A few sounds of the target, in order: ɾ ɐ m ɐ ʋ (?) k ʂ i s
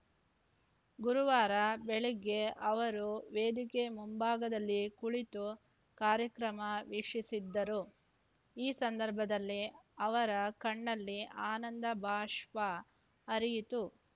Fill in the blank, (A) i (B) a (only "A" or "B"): A